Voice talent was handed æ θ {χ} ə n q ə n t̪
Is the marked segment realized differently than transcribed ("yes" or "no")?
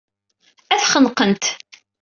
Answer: no